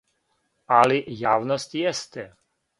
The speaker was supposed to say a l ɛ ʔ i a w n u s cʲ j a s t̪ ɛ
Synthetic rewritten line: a l i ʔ j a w n ɔ s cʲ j ɛ s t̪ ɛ